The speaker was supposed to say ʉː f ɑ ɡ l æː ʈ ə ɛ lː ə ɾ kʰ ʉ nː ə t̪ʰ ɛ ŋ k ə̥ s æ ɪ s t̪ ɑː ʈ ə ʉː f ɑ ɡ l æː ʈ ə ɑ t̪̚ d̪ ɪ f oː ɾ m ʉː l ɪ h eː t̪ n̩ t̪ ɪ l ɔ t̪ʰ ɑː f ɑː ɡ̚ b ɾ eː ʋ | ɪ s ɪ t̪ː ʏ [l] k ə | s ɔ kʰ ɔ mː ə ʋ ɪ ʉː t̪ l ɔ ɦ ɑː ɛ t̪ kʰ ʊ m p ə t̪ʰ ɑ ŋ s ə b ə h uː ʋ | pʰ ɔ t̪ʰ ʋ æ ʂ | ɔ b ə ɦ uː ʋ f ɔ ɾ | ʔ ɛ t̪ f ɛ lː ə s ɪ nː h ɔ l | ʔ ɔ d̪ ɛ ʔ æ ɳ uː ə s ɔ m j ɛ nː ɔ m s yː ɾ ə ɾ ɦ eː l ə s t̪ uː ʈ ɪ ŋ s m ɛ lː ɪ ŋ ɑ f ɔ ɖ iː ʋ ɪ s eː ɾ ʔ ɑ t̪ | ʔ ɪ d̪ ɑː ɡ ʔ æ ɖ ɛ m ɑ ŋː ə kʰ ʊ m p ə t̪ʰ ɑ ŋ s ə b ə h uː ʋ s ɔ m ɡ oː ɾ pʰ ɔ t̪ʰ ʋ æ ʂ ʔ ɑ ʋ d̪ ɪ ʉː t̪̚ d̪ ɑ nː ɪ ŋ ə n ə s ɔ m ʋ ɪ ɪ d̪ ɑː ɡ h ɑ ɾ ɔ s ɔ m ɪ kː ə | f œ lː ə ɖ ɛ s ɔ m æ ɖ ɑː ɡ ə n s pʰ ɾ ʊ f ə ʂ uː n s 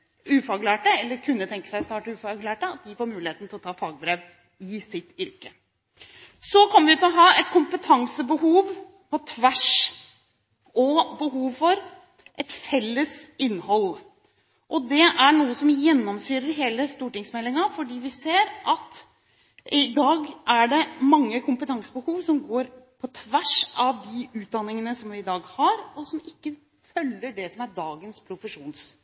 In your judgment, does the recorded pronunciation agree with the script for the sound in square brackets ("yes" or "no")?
no